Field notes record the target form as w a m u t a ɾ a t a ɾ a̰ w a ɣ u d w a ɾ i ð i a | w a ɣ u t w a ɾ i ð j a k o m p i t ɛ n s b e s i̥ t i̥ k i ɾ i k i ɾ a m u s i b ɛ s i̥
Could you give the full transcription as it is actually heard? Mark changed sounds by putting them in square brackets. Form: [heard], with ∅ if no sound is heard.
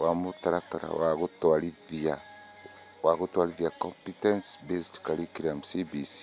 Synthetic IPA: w a m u t a ɾ a t a ɾ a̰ w a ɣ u [t] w a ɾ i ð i a | w a ɣ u t w a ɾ i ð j a k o m p i t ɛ n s b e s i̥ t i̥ k [a] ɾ i k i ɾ a m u s i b [i] s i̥